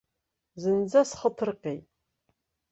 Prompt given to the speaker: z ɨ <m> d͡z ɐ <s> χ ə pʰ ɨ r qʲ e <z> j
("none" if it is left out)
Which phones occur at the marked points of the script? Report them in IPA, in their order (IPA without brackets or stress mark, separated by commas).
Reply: n, s, none